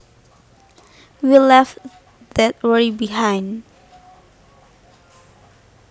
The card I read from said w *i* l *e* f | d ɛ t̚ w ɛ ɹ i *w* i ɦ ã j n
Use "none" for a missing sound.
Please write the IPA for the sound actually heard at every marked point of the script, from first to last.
i, ɛ, b

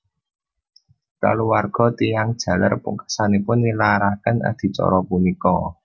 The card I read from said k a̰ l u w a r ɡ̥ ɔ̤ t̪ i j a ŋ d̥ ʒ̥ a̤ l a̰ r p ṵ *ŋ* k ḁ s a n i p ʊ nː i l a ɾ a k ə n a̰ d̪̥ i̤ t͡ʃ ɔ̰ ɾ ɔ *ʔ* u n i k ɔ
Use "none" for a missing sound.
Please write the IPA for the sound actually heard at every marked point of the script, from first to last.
ŋ, p

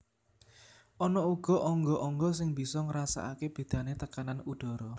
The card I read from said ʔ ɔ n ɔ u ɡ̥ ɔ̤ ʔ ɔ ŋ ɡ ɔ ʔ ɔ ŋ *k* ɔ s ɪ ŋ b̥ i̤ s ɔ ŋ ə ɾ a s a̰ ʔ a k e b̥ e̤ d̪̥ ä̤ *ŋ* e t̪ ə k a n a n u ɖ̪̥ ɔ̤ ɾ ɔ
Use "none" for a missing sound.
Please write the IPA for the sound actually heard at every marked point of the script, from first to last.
ɡ, n

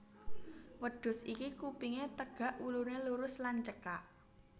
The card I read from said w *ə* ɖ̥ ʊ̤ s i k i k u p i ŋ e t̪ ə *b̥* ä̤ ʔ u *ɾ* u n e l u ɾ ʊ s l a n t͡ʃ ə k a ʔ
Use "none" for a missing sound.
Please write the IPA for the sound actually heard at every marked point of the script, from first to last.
ə, ɡ̥, l

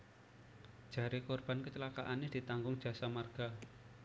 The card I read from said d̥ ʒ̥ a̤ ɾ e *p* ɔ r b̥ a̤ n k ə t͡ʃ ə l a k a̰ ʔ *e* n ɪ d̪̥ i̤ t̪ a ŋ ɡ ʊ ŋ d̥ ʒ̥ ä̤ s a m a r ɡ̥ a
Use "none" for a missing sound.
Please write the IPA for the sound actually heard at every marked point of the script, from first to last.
k, a

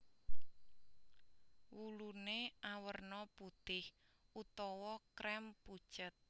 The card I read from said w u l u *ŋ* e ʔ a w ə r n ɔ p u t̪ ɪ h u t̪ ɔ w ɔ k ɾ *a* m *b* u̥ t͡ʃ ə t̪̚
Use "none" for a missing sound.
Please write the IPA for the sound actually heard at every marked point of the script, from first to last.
n, ɛ, p

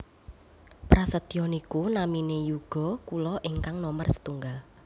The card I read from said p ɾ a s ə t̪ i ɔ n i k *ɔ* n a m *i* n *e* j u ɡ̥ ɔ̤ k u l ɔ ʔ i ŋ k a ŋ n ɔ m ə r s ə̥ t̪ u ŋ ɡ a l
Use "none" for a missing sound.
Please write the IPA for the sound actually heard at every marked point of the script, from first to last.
u, i, e

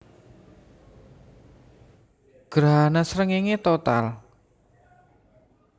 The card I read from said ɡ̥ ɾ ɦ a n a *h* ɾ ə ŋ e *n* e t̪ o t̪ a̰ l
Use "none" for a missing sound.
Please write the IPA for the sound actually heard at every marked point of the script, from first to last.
s, ŋ

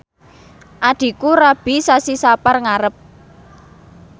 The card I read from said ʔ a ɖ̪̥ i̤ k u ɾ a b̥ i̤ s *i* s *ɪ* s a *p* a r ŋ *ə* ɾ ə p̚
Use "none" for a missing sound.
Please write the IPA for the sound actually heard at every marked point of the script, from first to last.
a, i, p, a

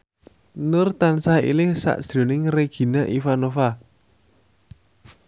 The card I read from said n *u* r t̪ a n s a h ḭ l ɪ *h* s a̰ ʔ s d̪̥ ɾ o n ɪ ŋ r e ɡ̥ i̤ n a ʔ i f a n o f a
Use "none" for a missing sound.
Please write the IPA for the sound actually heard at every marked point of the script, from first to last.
ʊ, h

